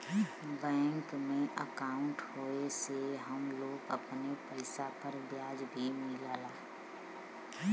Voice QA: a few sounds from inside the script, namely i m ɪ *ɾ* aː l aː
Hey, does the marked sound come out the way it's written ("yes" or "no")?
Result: no